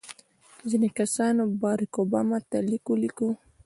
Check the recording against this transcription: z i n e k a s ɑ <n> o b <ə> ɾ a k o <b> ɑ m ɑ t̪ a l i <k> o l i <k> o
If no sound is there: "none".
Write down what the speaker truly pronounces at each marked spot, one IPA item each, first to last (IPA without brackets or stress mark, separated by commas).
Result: n, ɑ, b, k, k